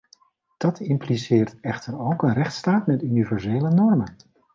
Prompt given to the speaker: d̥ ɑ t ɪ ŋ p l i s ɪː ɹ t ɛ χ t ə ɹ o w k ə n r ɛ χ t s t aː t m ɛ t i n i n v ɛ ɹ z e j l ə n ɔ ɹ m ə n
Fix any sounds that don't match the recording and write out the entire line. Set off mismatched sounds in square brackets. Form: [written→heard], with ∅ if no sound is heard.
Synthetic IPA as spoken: d̥ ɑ t ɪ [ŋ→m] p l i s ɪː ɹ t ɛ χ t ə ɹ o w k ə n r ɛ χ t s t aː t m ɛ t [i→y] n i [n→∅] v ɛ ɹ z e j l ə n ɔ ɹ m ə n